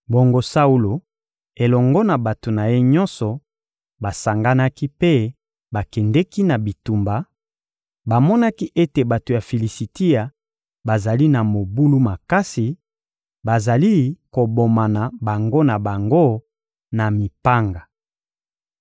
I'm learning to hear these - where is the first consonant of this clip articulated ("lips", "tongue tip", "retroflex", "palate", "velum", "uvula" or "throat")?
lips